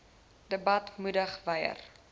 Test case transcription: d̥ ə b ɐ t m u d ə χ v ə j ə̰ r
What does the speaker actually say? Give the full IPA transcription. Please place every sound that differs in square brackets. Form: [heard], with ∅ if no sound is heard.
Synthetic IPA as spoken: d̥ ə b ɐ t m u d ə χ v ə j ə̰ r